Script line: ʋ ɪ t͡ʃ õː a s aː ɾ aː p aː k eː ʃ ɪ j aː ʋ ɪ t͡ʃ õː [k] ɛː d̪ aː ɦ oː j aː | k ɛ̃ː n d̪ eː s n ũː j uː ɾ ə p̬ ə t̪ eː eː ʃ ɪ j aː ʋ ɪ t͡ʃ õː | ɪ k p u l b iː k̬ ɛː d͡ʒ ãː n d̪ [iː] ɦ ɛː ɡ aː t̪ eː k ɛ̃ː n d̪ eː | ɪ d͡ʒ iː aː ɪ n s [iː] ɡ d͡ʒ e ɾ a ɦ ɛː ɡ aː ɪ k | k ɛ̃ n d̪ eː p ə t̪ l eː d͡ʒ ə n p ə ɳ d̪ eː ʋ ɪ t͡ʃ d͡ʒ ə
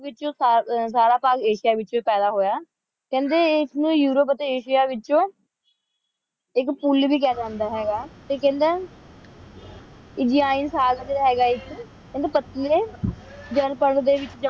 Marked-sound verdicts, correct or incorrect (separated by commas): incorrect, incorrect, incorrect